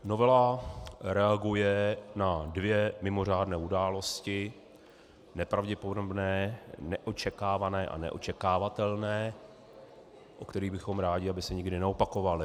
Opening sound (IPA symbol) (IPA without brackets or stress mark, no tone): n